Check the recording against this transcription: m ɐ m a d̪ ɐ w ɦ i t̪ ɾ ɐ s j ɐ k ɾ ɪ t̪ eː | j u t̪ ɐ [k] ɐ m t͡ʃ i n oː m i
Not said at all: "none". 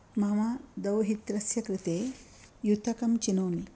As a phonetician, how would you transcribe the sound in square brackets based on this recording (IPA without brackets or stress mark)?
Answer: k